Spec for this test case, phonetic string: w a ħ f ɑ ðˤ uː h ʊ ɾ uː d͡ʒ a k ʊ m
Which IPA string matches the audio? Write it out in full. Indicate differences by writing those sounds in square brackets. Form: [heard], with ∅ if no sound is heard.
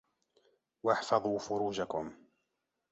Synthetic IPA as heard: w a ħ f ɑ ðˤ uː [f] ʊ ɾ uː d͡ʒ a k ʊ m